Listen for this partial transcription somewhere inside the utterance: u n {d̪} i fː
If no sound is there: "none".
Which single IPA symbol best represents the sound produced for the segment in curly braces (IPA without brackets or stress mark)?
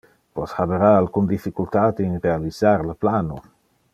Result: d̪